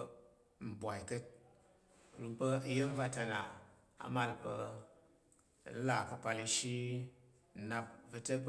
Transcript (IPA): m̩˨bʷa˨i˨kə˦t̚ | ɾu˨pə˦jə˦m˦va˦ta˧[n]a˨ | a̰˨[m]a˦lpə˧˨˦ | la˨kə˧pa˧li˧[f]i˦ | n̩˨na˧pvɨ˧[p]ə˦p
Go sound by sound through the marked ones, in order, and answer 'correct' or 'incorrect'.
correct, correct, incorrect: ʃ, incorrect: t

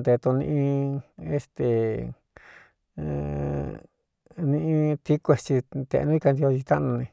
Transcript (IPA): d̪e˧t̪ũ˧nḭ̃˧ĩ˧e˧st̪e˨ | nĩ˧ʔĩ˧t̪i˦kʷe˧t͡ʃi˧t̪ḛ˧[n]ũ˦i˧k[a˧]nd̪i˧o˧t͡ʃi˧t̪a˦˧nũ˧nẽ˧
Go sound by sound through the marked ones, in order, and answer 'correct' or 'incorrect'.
correct, correct

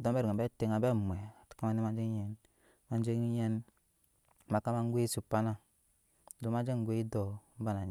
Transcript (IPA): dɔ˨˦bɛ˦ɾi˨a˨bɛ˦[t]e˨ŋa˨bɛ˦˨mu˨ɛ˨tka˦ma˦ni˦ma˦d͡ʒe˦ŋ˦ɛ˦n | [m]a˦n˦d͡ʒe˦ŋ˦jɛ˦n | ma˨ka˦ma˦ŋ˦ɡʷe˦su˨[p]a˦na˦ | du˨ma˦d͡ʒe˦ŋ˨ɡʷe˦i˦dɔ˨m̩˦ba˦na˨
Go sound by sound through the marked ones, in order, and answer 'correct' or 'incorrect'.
correct, correct, correct

